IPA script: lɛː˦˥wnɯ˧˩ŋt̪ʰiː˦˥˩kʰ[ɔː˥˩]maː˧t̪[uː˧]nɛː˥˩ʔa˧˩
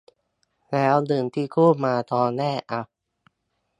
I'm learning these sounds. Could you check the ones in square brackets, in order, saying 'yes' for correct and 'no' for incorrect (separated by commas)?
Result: no, no